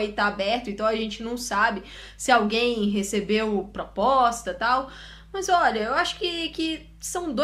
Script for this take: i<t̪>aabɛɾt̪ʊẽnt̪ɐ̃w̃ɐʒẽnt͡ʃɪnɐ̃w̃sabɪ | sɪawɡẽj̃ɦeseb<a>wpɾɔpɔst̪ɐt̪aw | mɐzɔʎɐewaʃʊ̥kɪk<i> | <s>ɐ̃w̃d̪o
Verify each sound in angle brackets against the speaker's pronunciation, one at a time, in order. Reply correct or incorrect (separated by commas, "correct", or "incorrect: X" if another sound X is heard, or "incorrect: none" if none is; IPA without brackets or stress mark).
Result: correct, incorrect: e, incorrect: ɪ, correct